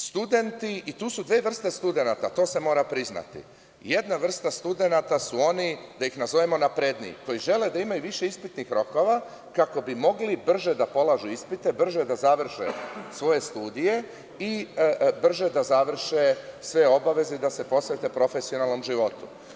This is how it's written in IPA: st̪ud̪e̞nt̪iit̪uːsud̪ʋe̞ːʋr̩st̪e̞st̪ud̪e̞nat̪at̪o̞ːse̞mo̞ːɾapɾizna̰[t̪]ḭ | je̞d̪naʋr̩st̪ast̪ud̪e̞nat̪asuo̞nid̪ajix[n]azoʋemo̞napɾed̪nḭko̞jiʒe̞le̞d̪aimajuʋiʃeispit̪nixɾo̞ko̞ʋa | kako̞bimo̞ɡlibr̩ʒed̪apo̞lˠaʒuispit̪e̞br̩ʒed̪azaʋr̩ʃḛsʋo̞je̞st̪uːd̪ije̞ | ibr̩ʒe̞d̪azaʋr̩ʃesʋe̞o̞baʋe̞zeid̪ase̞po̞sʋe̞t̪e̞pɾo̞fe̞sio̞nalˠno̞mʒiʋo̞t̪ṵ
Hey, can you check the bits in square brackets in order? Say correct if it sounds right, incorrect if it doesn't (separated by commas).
correct, correct